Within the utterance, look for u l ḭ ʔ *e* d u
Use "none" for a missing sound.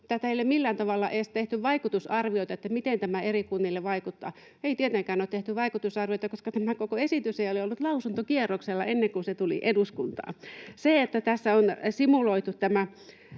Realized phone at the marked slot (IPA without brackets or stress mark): e